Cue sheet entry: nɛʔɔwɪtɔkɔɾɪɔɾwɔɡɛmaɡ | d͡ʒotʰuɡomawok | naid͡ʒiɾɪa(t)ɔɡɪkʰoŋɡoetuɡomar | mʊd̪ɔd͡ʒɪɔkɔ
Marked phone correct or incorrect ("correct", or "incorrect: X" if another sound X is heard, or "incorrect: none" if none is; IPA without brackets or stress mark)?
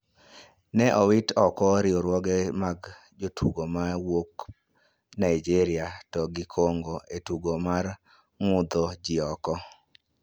correct